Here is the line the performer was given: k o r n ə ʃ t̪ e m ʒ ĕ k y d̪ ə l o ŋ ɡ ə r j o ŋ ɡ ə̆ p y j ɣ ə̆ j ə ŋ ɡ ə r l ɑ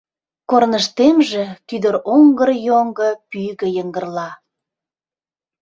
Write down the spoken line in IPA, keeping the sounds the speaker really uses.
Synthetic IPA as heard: k o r n ə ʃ t̪ e m ʒ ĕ k y d̪ ə ɾ o ŋ ɡ ə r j o ŋ ɡ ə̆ p y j ɣ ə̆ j ə ŋ ɡ ə r l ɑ